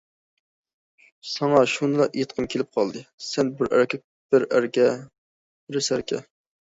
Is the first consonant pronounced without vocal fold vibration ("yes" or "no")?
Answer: yes